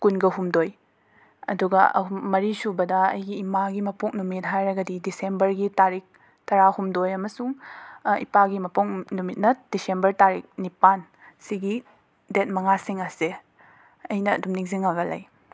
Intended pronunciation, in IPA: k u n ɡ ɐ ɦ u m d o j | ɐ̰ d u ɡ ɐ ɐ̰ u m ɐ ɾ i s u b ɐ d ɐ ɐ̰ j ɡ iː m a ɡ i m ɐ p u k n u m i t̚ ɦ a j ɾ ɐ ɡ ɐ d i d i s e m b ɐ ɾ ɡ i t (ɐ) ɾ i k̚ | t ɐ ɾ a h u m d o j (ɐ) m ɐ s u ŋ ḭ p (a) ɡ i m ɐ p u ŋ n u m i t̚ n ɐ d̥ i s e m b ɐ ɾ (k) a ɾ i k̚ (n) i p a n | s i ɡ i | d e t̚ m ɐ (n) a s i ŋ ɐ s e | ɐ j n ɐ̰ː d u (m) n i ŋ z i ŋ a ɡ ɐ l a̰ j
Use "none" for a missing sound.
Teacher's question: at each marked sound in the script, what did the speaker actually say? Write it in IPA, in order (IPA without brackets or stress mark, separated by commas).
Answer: a, ɐ, a, t, n, ŋ, m